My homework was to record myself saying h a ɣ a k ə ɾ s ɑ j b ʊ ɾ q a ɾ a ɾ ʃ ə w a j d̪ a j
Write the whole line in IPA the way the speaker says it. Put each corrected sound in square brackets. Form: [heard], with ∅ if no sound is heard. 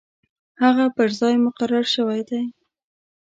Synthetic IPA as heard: h a ɣ a [p] ə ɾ [z] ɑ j [m] ʊ [∅] q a ɾ a ɾ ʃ ə w a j d̪ a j